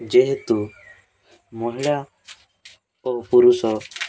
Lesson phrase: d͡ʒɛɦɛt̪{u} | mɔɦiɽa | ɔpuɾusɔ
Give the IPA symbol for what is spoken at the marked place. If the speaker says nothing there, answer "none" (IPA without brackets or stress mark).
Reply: u